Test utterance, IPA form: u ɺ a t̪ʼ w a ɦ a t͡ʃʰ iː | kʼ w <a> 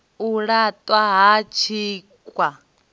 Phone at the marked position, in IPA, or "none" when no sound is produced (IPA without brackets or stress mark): a